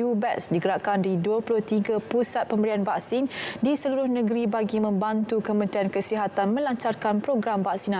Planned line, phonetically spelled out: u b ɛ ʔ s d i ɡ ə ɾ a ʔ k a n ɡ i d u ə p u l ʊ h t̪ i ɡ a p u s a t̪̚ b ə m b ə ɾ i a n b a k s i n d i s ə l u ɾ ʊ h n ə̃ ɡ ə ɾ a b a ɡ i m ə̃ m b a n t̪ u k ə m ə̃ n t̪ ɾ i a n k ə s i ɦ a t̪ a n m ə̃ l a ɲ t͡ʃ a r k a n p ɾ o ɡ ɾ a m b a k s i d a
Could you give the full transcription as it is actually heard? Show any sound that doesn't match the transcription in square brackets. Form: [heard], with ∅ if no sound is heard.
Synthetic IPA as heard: u b ɛ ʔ s d i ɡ ə ɾ a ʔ k a n [d] i d u ə p u l ʊ h t̪ i ɡ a p u s a t̪̚ [p] ə m b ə ɾ i a n b a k s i n d i s ə l u ɾ ʊ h n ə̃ ɡ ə ɾ [i] b a ɡ i m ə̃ m b a n t̪ u k ə m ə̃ n t̪ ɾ i a n k ə s i ɦ a t̪ a n m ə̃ l a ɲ t͡ʃ a r k a n p ɾ o ɡ ɾ a m b a k s i [n] a